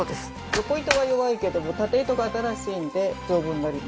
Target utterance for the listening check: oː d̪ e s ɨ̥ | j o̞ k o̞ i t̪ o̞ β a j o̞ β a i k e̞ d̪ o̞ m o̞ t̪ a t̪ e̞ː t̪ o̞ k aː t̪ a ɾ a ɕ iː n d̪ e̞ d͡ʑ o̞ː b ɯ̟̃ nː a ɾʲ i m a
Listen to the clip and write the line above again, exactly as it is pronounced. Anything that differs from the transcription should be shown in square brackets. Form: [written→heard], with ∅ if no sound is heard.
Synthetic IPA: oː d̪ e s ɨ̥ | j o̞ k o̞ i t̪ o̞ β a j o̞ β a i k e̞ d̪ o̞ m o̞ t̪ a t̪ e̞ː t̪ o̞ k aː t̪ a ɾ a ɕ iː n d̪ e̞ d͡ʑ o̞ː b ɯ̟̃ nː a ɾʲ i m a